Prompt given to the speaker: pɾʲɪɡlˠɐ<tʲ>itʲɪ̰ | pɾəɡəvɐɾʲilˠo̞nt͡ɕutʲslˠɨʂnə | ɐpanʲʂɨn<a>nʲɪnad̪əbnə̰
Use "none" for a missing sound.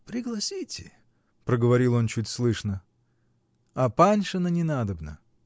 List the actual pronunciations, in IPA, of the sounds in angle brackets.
sʲ, ə

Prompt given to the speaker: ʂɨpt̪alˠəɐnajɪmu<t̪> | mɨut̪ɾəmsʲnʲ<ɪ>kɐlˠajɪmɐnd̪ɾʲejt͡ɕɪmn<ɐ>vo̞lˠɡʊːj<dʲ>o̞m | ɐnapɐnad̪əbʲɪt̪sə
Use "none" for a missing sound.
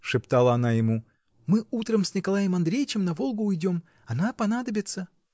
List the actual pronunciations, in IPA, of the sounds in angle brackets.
none, ɪ, ɐ, dʲ

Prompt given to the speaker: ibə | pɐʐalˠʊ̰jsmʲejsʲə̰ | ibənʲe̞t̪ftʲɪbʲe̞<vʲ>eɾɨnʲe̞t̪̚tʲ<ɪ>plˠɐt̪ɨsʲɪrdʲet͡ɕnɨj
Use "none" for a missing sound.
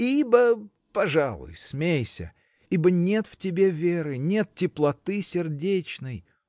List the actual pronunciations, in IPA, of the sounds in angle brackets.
vʲ, ɪ

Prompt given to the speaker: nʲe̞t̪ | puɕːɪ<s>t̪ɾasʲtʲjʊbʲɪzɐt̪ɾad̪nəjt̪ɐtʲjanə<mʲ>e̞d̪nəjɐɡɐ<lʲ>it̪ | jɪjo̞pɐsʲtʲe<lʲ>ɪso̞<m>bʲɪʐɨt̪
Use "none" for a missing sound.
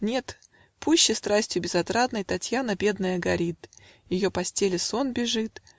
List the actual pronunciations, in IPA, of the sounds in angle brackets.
s, bʲ, ɾʲ, lʲ, n

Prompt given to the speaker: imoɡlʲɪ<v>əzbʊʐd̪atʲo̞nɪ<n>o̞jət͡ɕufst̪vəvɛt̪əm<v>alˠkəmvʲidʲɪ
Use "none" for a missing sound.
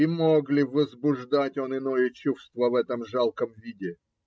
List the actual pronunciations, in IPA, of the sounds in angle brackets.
v, n, ʐ

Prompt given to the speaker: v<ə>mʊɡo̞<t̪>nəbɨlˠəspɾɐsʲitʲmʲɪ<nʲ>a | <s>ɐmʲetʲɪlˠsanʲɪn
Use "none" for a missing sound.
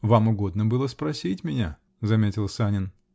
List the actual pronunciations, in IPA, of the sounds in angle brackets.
a, d̪, nʲ, z

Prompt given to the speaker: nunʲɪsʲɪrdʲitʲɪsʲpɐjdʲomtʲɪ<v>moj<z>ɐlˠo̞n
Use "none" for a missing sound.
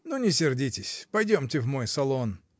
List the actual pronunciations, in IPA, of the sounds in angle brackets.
v, s

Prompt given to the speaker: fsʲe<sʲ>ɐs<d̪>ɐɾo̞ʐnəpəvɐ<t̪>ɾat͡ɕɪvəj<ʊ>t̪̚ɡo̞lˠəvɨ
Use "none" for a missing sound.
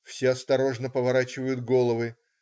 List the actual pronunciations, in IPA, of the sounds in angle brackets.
none, t̪, none, ʊ

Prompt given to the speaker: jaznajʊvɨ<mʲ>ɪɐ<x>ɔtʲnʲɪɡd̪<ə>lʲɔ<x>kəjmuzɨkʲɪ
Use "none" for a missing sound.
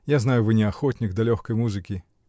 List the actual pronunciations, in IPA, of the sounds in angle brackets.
nʲ, x, ɐ, x

